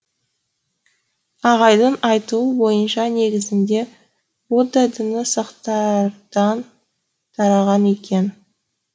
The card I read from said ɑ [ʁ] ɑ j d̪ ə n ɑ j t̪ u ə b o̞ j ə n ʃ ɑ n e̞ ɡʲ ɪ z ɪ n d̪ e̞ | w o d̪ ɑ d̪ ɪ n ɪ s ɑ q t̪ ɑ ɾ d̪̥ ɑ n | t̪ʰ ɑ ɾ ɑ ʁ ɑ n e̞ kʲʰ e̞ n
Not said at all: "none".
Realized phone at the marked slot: ʁ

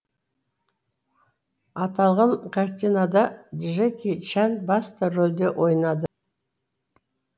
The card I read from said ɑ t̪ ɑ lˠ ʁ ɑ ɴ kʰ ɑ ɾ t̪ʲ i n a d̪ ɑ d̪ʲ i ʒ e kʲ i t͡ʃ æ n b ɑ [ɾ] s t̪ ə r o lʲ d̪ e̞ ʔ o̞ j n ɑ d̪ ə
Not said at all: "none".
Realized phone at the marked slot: none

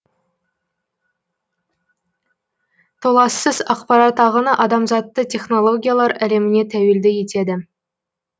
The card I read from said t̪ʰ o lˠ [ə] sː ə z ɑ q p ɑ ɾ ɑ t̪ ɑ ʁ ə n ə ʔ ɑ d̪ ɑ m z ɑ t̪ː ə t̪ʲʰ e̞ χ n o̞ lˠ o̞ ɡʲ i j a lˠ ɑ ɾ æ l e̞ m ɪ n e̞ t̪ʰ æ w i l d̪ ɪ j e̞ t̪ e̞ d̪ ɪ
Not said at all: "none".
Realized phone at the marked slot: ɑ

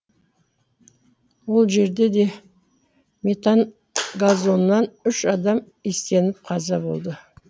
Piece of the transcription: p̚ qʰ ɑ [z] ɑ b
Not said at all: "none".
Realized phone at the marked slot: z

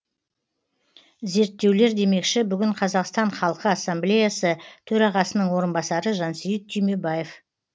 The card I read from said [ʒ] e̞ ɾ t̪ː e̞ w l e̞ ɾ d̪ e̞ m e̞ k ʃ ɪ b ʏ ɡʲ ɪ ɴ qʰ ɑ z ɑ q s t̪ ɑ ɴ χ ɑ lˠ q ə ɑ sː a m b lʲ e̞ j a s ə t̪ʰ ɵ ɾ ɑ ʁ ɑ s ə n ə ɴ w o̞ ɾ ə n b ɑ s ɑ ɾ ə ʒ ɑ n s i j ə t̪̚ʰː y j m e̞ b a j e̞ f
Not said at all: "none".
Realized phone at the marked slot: z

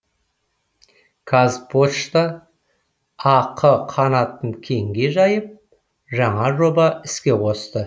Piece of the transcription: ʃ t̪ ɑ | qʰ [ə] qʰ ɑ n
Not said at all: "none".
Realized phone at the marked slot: ə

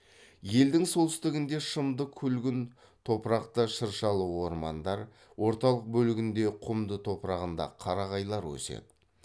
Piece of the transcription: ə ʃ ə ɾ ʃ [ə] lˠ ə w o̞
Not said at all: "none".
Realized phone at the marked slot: ɑ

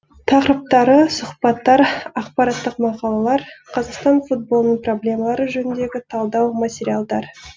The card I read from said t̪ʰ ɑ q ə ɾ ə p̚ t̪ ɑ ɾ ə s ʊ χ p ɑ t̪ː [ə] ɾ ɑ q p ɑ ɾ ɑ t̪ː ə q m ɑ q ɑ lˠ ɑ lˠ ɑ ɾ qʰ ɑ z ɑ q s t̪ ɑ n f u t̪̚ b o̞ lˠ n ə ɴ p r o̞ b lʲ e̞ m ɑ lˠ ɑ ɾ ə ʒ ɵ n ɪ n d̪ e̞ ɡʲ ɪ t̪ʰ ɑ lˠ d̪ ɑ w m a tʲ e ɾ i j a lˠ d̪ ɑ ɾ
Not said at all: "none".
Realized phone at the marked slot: ɑ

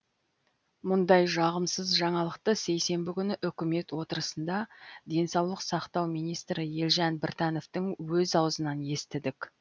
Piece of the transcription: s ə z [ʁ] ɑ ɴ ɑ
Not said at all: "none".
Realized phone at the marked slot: ʒ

